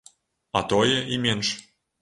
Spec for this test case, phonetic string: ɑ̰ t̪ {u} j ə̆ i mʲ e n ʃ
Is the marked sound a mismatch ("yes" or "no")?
yes